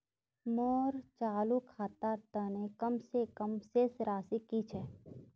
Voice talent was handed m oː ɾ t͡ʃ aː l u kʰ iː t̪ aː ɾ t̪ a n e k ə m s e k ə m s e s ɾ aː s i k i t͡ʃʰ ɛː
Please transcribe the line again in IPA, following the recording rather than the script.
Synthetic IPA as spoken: m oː ɾ t͡ʃ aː l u kʰ aː t̪ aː ɾ t̪ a n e k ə m s e k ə m s e s ɾ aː s i k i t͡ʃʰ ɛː